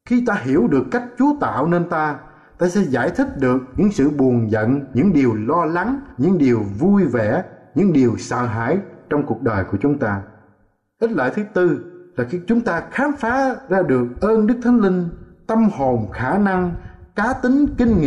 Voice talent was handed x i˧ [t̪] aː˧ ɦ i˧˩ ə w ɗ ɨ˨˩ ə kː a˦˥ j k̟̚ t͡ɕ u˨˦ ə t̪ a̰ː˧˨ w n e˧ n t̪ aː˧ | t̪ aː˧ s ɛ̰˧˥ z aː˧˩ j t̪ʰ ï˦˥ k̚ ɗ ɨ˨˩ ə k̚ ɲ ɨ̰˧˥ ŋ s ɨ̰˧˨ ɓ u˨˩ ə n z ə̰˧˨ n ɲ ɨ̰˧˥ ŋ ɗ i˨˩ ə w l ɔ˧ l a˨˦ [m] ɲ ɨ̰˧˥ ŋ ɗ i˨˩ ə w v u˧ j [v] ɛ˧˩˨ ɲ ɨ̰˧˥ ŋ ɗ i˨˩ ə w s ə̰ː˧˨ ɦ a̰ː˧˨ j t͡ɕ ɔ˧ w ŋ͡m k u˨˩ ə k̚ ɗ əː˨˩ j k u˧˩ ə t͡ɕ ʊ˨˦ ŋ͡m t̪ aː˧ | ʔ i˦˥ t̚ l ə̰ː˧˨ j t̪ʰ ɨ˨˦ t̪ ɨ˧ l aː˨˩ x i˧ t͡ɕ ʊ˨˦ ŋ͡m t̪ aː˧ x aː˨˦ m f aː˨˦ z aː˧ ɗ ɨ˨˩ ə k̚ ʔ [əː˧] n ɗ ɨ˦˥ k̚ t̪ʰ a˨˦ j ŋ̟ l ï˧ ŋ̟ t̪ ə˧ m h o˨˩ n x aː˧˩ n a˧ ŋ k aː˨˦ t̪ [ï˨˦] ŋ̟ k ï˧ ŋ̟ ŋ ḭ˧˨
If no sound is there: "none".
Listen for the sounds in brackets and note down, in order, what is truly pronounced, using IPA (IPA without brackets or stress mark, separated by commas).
t̪, ŋ, v, əː˧, ï˨˦